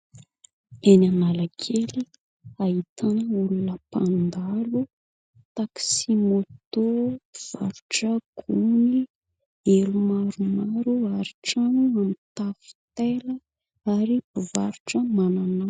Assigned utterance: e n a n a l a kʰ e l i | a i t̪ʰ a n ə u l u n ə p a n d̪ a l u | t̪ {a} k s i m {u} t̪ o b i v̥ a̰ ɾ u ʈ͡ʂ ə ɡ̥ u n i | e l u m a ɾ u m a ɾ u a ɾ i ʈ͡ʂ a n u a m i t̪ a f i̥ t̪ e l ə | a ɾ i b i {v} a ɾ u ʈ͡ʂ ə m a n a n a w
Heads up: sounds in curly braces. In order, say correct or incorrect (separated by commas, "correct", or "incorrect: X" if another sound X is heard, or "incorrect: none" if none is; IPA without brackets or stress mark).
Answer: correct, incorrect: o, correct